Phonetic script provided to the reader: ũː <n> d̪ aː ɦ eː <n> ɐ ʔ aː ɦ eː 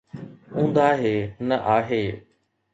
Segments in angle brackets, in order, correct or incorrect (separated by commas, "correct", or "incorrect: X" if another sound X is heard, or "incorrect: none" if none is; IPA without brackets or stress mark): correct, correct